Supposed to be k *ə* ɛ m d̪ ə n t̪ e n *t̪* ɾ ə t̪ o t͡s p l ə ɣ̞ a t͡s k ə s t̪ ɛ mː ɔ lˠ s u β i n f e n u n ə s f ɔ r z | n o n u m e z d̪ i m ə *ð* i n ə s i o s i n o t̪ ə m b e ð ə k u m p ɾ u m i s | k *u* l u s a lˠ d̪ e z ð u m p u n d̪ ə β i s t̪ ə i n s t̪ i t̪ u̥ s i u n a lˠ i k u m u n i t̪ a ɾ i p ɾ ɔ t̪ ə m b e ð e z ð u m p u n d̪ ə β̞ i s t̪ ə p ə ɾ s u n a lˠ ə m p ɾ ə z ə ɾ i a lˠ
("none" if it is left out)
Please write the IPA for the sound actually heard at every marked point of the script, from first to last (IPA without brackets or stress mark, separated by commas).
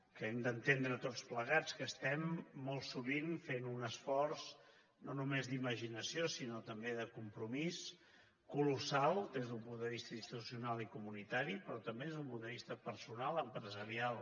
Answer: ə, d̪, ʒ, u